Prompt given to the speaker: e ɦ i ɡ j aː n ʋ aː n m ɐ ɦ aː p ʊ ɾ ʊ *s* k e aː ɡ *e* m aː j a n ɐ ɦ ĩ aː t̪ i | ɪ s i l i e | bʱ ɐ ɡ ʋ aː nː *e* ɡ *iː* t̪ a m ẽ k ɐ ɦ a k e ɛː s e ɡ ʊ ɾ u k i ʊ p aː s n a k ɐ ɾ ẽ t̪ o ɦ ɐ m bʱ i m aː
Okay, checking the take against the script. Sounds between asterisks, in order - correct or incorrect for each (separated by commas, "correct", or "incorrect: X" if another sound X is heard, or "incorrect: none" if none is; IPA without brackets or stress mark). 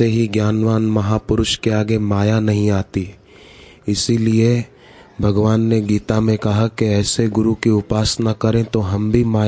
incorrect: ʃ, correct, correct, correct